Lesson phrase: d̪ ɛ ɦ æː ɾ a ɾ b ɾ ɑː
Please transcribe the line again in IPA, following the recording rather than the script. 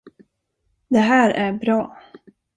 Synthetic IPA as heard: d̪ ɛ ɦ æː ɾ æ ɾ b ɾ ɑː